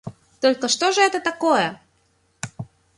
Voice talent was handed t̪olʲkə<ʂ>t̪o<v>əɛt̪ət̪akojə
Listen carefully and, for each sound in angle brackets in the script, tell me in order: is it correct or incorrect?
correct, incorrect: ʐ

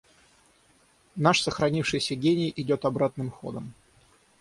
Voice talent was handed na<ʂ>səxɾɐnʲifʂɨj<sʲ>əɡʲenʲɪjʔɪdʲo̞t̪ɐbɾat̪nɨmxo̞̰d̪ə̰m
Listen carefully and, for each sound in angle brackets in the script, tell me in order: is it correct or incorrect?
correct, correct

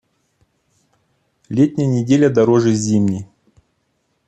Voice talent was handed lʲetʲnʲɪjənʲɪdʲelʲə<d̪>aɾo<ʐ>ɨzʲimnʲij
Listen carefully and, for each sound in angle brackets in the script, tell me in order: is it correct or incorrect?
correct, correct

